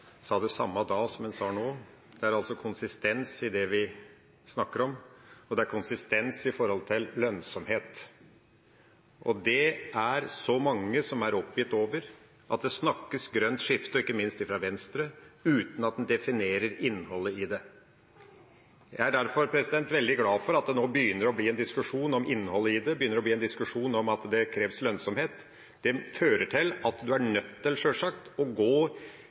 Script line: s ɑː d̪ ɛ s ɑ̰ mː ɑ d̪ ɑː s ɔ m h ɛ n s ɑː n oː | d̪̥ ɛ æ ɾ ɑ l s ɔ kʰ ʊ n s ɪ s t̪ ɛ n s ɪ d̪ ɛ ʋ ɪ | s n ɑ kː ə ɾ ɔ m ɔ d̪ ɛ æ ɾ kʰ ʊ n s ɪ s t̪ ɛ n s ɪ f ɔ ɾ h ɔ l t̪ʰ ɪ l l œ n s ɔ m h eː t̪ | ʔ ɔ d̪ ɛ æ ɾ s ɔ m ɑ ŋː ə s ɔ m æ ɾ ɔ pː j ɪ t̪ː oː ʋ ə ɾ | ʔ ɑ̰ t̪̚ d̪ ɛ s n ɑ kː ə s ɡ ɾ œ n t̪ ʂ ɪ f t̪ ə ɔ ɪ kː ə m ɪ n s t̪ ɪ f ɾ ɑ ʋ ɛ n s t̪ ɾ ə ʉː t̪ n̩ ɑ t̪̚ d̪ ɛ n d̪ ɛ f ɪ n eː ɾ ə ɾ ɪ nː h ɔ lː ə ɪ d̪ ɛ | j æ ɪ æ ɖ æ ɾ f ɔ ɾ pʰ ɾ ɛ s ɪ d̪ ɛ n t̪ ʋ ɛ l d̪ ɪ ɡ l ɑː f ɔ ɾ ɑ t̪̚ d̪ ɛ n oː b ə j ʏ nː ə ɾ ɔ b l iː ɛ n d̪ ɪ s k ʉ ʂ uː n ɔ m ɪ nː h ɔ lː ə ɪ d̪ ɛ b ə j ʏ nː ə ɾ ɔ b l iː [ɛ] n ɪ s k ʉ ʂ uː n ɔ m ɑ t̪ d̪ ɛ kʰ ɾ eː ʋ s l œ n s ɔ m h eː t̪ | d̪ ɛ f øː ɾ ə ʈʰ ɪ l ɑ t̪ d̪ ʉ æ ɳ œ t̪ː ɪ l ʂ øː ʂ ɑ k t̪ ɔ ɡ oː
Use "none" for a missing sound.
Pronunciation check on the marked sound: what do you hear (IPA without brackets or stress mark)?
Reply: ɛ